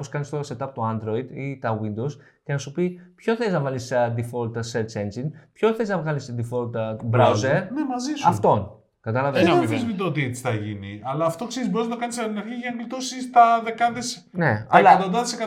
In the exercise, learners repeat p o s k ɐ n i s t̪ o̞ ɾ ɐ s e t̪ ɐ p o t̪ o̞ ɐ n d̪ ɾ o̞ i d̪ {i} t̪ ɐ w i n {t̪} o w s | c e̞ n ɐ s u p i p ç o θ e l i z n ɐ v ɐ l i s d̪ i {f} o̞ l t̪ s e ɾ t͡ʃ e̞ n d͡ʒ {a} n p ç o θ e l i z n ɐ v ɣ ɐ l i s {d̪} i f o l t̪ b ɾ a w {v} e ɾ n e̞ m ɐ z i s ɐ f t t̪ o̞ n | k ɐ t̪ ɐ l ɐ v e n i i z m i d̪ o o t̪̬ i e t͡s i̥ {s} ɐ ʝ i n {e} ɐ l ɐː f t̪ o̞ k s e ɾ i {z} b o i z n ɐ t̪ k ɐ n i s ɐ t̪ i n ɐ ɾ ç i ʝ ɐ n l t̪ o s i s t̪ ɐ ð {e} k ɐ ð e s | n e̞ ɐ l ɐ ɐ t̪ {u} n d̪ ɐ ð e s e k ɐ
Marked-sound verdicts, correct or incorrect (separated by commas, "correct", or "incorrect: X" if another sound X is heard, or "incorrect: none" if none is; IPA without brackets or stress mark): correct, incorrect: d̪, correct, incorrect: i, correct, incorrect: z, incorrect: θ, incorrect: i, correct, correct, incorrect: o